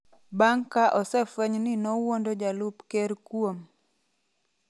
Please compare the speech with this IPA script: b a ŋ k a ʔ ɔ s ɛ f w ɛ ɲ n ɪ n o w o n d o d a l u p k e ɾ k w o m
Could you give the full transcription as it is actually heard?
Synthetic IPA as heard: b a ŋ k a ʔ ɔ s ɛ f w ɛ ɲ n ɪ n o w o n d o d͡ʒ a l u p k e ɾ k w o m